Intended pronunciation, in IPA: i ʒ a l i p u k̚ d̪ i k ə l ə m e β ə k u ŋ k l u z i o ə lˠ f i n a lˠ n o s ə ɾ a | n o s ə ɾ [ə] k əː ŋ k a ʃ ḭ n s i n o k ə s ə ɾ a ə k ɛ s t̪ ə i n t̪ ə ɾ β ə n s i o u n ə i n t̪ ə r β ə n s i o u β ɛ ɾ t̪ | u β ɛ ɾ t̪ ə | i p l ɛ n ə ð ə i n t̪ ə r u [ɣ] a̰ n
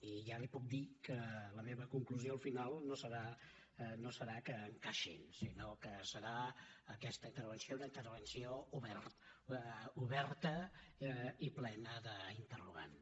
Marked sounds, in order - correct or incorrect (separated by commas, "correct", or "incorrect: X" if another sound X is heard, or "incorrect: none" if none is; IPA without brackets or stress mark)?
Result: incorrect: a, correct